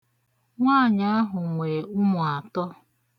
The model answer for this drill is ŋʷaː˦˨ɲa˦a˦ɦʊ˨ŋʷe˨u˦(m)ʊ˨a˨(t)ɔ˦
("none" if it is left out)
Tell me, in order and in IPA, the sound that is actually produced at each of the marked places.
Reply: m, t

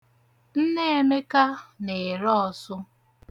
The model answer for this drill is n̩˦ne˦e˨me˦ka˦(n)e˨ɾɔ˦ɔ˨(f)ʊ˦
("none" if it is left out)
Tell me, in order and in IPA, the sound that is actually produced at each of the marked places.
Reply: n, s

